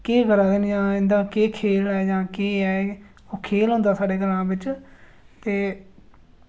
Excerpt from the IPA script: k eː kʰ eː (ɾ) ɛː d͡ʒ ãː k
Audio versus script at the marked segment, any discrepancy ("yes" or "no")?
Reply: yes